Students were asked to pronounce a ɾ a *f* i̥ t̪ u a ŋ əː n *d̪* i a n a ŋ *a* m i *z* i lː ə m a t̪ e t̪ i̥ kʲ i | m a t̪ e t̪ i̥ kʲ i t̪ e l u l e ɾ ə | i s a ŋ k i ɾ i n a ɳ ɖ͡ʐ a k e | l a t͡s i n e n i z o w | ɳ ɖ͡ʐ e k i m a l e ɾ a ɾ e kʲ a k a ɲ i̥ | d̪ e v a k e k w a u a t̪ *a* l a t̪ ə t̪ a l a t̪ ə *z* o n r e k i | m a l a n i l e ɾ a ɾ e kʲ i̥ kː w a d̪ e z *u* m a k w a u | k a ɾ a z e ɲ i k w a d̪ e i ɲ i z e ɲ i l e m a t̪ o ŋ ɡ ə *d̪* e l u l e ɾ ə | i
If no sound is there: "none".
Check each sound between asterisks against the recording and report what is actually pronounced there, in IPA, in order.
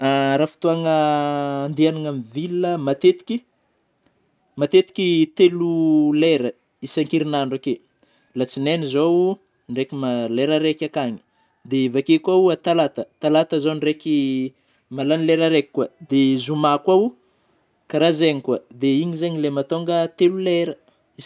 f, d̪, a, v, a, z, u, t̪

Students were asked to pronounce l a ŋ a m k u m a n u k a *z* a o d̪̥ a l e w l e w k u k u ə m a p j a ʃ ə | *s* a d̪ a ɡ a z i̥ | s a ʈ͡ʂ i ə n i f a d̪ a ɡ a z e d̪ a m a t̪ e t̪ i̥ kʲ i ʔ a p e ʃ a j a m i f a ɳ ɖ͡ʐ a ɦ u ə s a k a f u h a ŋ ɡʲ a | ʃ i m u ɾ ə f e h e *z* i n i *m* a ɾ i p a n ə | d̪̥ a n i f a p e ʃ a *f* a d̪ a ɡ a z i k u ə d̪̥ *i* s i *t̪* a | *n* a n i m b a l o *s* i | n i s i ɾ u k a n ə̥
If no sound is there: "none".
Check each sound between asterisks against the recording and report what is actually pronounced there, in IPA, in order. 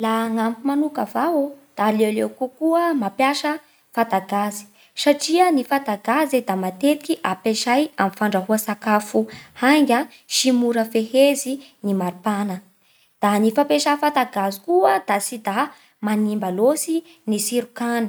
v, f, z, m, f, a, d̪, m, s

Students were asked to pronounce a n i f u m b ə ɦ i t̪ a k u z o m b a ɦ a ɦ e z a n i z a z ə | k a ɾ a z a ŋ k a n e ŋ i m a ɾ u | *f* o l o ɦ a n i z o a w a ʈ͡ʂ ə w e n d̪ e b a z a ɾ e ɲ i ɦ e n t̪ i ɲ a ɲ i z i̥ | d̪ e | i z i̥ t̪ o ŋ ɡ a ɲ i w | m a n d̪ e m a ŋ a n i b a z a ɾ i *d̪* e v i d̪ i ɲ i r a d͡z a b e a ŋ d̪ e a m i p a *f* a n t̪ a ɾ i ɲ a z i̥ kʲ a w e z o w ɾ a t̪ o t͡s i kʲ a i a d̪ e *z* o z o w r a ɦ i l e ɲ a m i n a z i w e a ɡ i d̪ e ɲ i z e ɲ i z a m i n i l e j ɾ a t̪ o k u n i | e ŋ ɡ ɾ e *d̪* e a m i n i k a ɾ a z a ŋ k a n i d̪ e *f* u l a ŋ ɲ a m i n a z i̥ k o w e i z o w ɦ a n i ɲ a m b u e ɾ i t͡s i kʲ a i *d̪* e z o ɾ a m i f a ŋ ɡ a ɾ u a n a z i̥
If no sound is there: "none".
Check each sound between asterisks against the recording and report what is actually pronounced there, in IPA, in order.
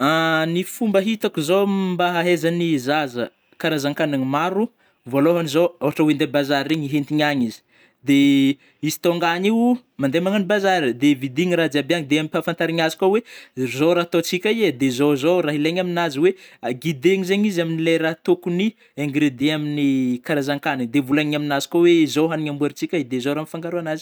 v, d̪, f, z, d̪, v, d̪

